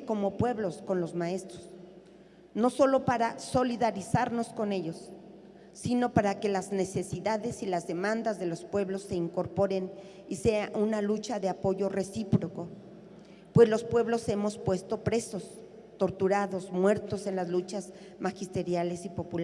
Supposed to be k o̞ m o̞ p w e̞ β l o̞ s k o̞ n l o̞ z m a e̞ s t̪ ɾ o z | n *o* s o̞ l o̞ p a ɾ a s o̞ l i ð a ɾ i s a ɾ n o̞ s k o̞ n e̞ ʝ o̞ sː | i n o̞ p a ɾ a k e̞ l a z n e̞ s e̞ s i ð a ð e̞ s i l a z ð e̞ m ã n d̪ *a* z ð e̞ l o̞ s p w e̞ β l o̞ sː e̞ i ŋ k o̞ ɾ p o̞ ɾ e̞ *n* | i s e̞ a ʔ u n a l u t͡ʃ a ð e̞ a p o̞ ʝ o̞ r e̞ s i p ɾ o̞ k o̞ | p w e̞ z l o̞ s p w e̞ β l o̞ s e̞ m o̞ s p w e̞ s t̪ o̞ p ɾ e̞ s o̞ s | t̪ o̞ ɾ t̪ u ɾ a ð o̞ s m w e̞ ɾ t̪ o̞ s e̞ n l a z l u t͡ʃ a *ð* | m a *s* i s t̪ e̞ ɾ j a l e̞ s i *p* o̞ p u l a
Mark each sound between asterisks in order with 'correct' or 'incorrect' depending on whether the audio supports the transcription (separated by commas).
correct, correct, correct, incorrect, incorrect, correct